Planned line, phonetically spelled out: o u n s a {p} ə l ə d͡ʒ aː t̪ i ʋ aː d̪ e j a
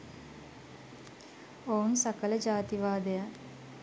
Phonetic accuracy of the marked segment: incorrect: k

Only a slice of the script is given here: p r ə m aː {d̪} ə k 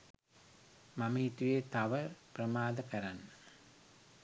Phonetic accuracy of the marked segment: correct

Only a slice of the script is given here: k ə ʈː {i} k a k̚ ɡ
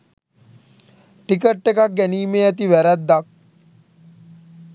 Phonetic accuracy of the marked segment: incorrect: e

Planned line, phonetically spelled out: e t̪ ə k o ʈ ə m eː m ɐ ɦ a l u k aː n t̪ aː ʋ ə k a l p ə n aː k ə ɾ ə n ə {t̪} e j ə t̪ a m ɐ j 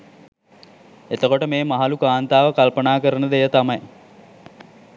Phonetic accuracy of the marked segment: incorrect: d̪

